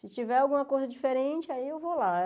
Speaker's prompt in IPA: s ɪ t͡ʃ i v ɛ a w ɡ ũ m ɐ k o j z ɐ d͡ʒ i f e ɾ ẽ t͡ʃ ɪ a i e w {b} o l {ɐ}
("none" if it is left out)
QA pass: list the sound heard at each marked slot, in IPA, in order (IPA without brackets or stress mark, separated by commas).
v, a